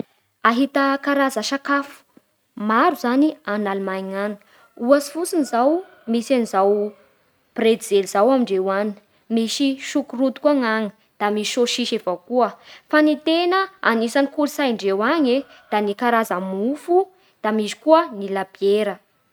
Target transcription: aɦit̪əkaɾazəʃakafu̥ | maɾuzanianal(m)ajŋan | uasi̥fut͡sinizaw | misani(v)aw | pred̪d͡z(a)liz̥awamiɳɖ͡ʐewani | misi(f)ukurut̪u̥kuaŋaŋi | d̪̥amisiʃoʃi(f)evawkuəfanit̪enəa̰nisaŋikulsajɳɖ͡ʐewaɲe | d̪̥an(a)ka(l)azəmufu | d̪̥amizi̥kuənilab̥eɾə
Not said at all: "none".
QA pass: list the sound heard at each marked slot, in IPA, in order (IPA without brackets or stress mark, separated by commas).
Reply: m, z, e, ʃ, ʃ, i, ɾ